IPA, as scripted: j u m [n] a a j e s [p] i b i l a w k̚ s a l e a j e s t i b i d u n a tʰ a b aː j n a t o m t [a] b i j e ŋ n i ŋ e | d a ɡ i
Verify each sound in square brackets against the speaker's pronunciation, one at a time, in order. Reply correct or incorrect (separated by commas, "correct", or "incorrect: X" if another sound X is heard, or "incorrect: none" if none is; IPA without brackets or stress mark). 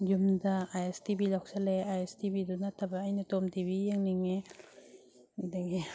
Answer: incorrect: d, incorrect: t, incorrect: i